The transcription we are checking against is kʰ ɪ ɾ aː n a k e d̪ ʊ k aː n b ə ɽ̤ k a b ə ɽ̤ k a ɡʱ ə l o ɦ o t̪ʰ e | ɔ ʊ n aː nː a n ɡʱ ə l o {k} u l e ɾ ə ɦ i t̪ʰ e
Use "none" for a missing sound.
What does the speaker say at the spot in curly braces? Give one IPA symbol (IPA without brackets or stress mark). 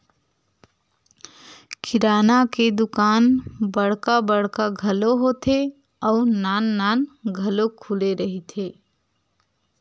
kʰ